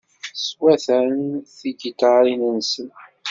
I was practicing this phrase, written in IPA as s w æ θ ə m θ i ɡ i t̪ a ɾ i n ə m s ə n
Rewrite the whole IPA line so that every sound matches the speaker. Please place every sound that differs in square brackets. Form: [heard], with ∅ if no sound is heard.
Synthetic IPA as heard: s w æ θ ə [n] θ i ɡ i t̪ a ɾ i n ə [n] s ə n